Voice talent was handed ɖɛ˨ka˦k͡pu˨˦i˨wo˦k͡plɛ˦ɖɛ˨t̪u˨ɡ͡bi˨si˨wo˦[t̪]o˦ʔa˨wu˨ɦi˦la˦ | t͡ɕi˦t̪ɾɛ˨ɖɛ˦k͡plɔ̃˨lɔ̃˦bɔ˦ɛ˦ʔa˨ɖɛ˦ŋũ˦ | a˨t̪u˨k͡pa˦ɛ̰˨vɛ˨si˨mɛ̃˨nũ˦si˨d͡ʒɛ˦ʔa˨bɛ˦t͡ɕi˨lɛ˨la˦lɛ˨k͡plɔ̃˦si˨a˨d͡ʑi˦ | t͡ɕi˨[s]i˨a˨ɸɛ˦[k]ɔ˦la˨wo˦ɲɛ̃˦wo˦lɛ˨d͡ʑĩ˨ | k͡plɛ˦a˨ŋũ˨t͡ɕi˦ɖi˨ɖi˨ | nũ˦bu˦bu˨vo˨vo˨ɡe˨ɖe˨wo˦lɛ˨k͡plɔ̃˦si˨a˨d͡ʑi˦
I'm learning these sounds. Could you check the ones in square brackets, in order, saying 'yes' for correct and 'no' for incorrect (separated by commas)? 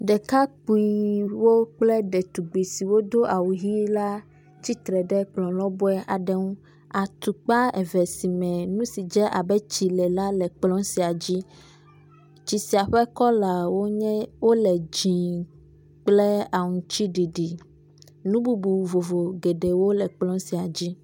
no, yes, yes